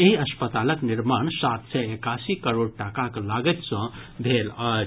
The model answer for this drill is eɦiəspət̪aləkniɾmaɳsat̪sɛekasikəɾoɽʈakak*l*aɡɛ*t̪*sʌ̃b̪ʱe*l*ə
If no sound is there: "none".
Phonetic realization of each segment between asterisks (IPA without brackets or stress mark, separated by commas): l, t̪, l